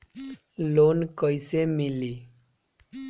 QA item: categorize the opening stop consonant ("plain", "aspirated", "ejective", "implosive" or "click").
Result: plain